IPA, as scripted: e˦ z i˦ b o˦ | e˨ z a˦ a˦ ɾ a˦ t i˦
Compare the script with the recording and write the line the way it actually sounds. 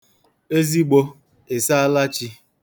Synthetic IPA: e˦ z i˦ ɡ͡b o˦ | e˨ s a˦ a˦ l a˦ t͡ʃ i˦